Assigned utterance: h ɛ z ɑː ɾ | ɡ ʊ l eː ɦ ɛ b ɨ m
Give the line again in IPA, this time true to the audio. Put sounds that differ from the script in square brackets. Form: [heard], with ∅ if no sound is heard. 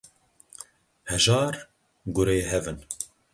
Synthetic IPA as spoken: h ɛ [ʒ] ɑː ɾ | ɡ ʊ [ɾ] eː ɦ ɛ [v] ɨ [n]